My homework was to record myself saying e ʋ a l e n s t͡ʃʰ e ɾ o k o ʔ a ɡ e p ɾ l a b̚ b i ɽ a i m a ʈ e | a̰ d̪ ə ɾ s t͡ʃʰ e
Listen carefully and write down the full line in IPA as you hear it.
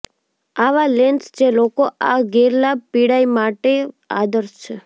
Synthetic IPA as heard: a ʋ a l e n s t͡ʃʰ e l o k o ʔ a ɡ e ɾ l a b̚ p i ɽ a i m a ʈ e | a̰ d̪ ə ɾ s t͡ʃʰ e

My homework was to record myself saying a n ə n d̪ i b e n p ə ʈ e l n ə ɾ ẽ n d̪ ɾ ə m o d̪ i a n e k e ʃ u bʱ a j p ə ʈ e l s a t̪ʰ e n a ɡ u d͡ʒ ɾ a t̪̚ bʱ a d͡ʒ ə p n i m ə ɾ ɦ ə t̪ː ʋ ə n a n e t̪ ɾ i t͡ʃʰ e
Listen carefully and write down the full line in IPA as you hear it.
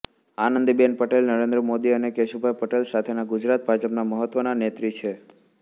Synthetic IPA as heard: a n ə n d̪ i b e n p ə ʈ e l n ə ɾ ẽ n d̪ ɾ ə m o d̪ i ə n e k e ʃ u bʱ a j p ə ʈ e l s a t̪ʰ e n a ɡ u d͡ʒ ɾ a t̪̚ bʱ a d͡ʒ ə p n a m ə ɦ ə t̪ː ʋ ə n a n e t̪ ɾ i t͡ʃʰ e

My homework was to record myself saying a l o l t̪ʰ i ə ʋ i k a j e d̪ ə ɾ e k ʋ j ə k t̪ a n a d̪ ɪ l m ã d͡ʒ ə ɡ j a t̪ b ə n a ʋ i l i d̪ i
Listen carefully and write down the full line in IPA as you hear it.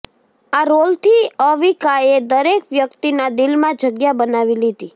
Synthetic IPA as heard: a ɾ o l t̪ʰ i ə ʋ i k a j e d̪ ə ɾ e k ʋ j ə k t̪ i n a d̪ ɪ l m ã d͡ʒ ə ɡ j a b ə n a ʋ i l i d̪ i

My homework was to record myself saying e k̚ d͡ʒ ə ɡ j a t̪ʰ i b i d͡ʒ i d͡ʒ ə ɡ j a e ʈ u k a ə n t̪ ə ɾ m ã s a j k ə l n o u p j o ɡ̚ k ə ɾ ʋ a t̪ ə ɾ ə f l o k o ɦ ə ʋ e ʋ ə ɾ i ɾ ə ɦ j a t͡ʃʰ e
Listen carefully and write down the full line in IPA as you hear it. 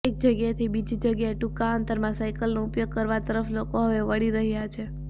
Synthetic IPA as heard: e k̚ d͡ʒ ə ɡ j a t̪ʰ i b i d͡ʒ i d͡ʒ ə ɡ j a e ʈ u k a ə n t̪ ə ɾ m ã s a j k ə l n o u p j o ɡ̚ k ə ɾ ʋ a t̪ ə ɾ ə f l o k o ɦ ə ʋ e ʋ ə ɽ i ɾ ə ɦ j a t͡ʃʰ e

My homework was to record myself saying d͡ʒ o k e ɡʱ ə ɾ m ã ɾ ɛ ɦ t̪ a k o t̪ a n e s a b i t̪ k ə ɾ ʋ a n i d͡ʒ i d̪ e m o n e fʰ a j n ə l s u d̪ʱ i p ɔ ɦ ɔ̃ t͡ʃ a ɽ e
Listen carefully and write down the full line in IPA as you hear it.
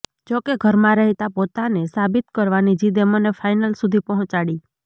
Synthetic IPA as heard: d͡ʒ o k e ɡʱ ə ɾ m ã ɾ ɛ ɦ t̪ a p o t̪ a n e s a b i t̪ k ə ɾ ʋ a n i d͡ʒ i d̪ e m o n e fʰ a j n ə l s u d̪ʱ i p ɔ ɦ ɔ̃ t͡ʃ a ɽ i

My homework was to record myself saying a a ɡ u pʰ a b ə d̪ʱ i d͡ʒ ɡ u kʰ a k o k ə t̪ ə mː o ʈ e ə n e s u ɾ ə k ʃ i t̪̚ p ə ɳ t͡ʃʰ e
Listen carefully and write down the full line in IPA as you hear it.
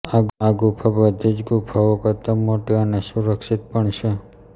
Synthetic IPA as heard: a a ɡ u pʰ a b ə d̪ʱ i d͡ʒ ɡ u pʰ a o k ə t̪ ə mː o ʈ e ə n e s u ɾ ə k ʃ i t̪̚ p ə ɳ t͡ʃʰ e

